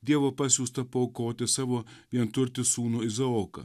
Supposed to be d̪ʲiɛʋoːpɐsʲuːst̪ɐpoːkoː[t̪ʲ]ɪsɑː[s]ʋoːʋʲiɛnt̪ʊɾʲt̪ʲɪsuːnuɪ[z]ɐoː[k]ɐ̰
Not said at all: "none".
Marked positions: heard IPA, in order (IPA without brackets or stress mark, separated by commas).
t̪ʲ, none, z, k